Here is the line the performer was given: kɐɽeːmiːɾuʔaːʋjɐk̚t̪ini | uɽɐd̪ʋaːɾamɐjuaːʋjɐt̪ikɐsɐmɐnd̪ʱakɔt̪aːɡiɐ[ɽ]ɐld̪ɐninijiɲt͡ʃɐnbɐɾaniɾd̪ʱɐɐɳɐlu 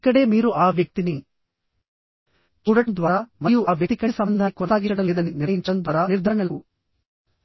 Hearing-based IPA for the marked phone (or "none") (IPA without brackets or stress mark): ɽ